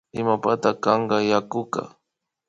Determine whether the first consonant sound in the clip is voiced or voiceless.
voiced